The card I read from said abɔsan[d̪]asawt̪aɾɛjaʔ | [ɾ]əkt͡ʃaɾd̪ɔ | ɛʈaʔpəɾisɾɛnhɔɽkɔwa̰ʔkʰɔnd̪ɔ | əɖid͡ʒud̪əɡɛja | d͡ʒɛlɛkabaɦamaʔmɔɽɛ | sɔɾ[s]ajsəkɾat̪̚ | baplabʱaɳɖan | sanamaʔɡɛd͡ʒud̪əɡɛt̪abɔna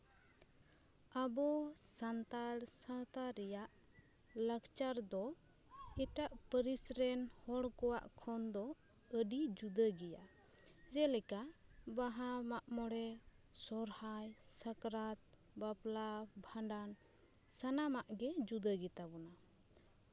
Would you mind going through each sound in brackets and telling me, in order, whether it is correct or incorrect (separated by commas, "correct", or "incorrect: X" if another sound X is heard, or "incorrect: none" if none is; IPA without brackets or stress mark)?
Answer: incorrect: t̪, incorrect: l, incorrect: h